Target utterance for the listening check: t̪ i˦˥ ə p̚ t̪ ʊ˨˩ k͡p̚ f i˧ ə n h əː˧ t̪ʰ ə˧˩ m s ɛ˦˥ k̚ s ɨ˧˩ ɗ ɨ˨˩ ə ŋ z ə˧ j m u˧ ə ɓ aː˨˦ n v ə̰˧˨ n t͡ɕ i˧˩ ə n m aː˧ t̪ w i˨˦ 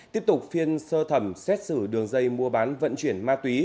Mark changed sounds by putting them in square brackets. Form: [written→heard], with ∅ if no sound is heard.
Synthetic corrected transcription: t̪ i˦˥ ə p̚ t̪ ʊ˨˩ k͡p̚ f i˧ ə n [h→s] əː˧ t̪ʰ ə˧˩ m s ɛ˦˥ [k̚→t̚] s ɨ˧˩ ɗ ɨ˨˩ ə ŋ z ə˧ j m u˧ ə ɓ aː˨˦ n v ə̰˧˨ n t͡ɕ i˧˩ ə n m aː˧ t̪ w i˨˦